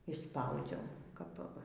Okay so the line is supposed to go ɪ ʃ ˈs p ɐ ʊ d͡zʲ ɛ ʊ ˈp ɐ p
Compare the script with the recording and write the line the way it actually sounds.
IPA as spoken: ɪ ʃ ˈs p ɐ ʊ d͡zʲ ɛ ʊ ˈk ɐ p